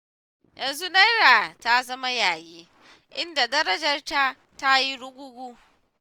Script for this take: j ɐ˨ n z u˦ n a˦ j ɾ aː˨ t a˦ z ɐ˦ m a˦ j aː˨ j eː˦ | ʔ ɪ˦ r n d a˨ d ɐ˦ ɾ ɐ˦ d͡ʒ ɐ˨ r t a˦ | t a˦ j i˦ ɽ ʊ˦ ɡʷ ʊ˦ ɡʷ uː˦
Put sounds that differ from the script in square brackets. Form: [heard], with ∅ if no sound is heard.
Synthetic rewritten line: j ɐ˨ n z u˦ n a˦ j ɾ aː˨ t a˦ z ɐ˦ m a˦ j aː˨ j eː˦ | ʔ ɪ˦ [∅] n d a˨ d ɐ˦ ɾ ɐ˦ d͡ʒ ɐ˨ r t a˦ | t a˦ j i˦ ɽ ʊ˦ ɡʷ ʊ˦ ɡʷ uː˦